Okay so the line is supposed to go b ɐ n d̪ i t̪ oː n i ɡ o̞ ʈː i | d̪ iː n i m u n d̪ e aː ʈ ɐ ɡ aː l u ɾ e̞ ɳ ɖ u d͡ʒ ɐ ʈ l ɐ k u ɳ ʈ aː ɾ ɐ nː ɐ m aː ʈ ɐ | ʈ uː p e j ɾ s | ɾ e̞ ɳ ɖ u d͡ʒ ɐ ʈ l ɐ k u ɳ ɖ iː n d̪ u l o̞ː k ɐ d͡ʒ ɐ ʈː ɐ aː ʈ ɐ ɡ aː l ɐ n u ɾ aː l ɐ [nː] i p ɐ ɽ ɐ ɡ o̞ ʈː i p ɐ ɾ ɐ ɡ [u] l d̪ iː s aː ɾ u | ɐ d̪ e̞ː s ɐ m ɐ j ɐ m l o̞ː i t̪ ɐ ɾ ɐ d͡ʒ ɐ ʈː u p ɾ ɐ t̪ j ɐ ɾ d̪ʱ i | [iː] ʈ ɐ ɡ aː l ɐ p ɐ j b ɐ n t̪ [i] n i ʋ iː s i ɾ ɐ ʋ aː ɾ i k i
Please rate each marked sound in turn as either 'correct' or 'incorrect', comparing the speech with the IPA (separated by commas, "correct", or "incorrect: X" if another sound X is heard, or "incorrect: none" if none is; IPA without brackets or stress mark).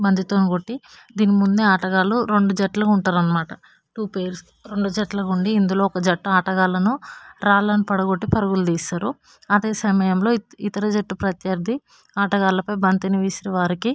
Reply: incorrect: n, correct, incorrect: aː, correct